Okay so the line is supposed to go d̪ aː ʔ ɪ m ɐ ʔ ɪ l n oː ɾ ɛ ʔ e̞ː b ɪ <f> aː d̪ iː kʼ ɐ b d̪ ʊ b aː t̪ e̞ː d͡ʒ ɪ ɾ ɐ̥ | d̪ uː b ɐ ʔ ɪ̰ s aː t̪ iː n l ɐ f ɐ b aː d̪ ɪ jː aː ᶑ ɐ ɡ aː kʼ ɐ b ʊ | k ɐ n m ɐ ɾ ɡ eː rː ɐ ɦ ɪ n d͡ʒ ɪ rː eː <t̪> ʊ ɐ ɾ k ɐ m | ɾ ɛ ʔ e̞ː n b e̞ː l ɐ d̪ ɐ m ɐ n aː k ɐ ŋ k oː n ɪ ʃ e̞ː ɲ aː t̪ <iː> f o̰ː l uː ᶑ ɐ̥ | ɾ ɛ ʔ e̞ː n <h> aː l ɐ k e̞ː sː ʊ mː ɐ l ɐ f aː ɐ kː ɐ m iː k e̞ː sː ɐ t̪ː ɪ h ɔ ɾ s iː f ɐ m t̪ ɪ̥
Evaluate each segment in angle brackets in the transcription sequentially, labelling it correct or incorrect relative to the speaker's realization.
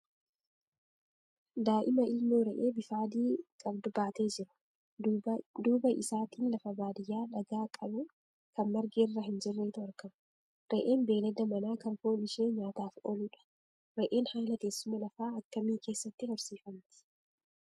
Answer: correct, correct, incorrect: aː, correct

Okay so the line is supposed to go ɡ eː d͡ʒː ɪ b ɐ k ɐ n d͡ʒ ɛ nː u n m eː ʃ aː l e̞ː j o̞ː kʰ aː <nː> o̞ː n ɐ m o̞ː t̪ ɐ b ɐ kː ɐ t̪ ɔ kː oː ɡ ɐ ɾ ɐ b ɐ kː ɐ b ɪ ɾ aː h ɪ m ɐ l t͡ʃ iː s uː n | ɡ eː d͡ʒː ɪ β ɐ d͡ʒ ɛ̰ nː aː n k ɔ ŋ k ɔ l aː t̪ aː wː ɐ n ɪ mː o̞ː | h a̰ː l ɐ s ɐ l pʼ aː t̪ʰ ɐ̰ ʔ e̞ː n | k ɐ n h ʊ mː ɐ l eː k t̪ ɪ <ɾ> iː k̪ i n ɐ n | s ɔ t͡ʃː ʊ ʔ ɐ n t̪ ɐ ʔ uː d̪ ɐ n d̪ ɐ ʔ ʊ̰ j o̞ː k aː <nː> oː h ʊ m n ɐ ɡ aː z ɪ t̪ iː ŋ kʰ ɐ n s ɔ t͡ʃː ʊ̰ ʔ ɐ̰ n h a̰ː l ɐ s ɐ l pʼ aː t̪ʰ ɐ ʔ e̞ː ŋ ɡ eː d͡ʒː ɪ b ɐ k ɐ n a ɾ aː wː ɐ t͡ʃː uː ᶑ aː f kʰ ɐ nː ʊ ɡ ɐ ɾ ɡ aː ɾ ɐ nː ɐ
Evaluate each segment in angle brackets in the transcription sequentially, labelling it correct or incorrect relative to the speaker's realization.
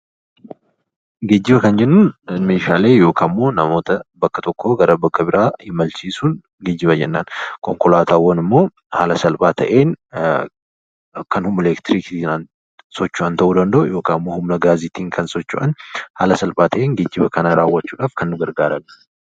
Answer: incorrect: mː, correct, incorrect: mː

